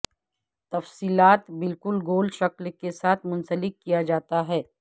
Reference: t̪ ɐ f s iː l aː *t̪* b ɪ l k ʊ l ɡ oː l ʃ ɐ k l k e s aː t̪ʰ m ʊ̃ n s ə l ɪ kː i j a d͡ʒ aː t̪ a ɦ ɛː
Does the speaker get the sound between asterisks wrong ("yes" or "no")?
no